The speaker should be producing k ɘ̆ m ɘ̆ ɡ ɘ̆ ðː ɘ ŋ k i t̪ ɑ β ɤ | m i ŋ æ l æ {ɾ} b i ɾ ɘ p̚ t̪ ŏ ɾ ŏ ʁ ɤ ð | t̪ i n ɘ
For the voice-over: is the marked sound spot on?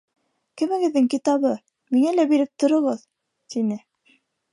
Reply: no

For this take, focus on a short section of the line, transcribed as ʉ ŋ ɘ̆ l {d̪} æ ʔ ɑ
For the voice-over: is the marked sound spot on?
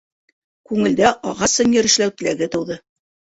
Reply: yes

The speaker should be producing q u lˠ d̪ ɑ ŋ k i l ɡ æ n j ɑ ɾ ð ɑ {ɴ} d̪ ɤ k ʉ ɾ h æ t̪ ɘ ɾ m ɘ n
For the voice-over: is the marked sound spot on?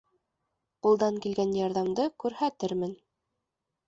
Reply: no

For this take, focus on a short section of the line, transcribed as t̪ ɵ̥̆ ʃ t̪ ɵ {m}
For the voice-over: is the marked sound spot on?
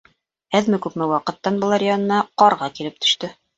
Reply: no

